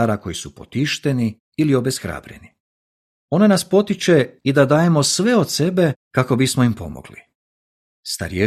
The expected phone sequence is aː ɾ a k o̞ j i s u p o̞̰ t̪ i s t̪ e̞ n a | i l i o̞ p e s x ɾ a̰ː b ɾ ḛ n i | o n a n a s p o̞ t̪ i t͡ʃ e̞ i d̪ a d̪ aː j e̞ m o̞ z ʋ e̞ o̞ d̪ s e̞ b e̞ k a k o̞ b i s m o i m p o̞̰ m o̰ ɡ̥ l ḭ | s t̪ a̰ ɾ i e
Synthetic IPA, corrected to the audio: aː ɾ a k o̞ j i s u p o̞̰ t̪ i ʃ t̪ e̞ n i | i l i o̞ b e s x ɾ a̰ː b ɾ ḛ n i | o n a n a s p o̞ t̪ i t͡ʃ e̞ i d̪ a d̪ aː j e̞ m o̞ s ʋ e̞ o̞ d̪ s e̞ b e̞ k a k o̞ b i s m o i m p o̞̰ m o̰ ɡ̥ l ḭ | s t̪ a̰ ɾ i e